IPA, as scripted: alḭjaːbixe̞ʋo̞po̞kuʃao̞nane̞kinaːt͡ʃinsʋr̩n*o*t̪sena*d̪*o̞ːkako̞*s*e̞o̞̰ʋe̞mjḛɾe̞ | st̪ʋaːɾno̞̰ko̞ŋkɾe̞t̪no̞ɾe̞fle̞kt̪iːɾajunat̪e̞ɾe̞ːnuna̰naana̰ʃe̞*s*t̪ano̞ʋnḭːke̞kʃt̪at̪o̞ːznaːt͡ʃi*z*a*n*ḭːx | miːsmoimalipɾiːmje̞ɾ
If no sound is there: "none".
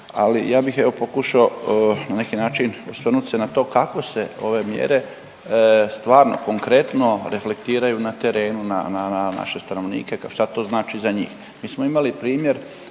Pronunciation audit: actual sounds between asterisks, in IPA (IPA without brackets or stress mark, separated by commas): u, t̪, s, s, z, ɲ